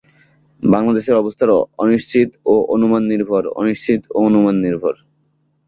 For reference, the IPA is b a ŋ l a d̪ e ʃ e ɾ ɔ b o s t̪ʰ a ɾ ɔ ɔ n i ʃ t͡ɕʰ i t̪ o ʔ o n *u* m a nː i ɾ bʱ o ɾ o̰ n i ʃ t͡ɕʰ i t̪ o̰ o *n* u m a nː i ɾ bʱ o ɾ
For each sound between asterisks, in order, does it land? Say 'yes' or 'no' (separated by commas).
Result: yes, yes